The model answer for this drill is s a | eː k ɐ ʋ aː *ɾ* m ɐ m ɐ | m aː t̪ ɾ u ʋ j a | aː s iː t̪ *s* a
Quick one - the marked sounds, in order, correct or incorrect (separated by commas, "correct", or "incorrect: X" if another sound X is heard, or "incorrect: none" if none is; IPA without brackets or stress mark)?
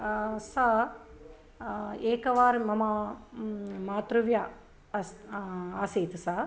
correct, correct